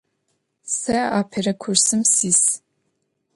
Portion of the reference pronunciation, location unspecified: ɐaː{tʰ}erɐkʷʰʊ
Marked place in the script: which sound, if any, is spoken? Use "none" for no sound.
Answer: pʰ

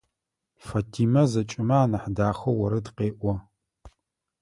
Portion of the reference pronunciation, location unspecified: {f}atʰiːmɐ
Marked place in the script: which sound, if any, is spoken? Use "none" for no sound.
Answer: f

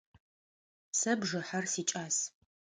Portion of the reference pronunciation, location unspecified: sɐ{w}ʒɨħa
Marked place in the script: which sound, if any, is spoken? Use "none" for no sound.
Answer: b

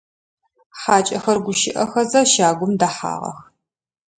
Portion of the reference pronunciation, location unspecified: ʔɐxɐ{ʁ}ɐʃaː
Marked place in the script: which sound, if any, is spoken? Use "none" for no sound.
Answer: z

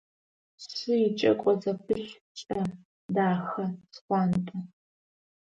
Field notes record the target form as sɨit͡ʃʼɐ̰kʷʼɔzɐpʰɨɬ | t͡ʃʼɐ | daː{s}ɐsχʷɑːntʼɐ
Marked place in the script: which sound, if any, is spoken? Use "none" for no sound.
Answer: x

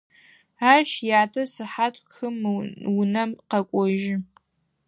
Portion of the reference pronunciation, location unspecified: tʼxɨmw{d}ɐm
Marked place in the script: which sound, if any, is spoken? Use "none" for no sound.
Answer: n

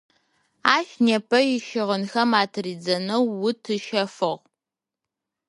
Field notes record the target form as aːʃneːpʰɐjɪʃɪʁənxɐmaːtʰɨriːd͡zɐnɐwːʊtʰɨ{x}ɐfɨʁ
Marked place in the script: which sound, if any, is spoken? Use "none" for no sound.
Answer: ʃ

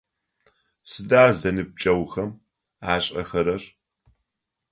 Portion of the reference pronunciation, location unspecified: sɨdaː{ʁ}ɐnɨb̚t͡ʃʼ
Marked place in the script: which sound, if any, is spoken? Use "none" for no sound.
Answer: z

